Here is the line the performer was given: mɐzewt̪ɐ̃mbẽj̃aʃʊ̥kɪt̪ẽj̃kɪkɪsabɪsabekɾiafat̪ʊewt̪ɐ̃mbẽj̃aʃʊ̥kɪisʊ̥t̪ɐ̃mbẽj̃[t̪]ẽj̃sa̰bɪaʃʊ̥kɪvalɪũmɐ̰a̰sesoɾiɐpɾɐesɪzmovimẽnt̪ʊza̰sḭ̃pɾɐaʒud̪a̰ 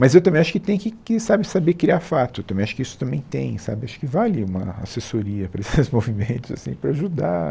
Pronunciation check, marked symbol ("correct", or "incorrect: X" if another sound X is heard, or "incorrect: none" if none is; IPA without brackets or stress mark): correct